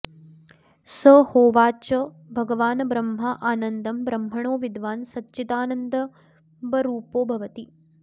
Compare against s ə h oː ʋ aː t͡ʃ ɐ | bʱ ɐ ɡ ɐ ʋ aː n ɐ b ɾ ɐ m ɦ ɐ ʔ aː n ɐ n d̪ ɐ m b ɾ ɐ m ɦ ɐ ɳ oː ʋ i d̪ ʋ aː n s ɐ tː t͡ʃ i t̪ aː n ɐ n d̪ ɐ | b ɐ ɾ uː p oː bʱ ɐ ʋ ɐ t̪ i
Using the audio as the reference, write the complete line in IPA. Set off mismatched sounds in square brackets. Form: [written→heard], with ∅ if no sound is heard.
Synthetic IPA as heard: s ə h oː ʋ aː t͡ʃ ɐ | bʱ ɐ ɡ ɐ ʋ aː n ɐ b ɾ ɐ m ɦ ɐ ʔ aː n ɐ n d̪ ɐ m b ɾ ɐ m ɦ ɐ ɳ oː ʋ i d̪ ʋ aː n s ɐ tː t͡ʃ i t̪ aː n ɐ n d̪ ɐ | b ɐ ɾ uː p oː bʱ ɐ ʋ ɐ t̪ i